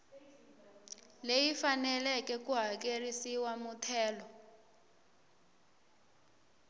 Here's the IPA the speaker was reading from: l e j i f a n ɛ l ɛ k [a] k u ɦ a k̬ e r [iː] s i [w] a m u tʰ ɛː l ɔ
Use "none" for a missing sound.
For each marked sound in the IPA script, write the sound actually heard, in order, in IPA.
ɛ, i, w

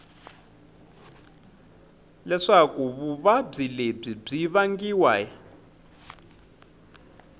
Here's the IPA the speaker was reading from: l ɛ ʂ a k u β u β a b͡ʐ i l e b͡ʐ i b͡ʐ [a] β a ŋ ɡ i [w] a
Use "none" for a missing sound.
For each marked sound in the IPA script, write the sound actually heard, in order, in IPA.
i, w

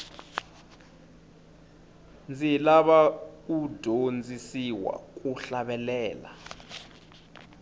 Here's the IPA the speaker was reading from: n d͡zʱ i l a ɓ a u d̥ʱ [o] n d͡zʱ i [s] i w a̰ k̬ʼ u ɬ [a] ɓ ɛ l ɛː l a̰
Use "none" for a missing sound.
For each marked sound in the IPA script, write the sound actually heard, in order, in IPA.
o, s, a

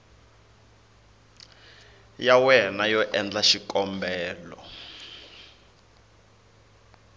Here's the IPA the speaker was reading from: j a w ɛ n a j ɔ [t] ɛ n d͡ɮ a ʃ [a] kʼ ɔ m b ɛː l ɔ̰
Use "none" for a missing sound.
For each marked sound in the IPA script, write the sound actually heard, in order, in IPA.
ʔ, i

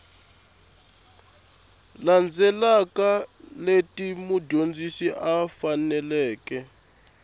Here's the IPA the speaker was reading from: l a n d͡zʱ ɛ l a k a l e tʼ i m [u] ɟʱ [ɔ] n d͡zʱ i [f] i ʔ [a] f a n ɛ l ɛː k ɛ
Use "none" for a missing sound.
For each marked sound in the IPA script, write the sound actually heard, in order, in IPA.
u, o, s, a

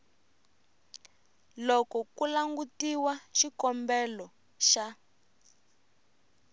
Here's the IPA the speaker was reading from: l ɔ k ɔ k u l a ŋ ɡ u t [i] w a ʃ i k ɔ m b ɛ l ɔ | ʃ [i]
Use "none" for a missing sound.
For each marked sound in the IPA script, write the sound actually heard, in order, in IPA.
i, a

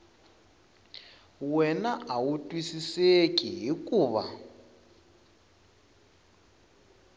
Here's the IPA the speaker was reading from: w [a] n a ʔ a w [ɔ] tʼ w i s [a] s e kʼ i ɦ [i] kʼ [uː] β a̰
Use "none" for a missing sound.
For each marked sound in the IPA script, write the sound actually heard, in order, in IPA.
ɛ, u, i, i, uː

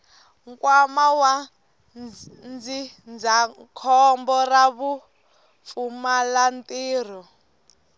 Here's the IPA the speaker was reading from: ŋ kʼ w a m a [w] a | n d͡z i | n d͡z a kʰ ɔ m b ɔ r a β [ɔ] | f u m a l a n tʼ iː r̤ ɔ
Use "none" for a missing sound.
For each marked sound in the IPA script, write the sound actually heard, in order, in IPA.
w, u

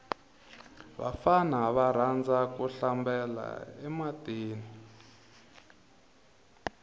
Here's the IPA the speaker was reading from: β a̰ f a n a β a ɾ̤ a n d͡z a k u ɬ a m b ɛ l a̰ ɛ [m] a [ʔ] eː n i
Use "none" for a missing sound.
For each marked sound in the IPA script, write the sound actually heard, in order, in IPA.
m, t

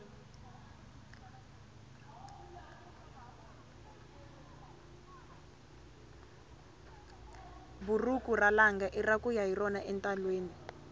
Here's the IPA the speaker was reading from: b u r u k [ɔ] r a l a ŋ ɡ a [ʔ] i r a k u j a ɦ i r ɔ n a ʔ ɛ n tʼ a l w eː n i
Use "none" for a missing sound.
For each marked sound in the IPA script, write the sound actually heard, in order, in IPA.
u, ʔ

